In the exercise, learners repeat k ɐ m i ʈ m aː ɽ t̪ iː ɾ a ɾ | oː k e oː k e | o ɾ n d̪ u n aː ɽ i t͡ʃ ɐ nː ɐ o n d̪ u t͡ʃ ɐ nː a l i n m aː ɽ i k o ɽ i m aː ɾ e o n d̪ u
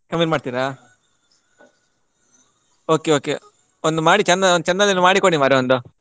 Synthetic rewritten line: k ɐ m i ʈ m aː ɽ t̪ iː ɾ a | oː k e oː k e | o n d̪ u m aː ɽ i t͡ʃ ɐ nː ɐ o n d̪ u t͡ʃ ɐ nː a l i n m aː ɽ i k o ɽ i m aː ɾ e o n d̪ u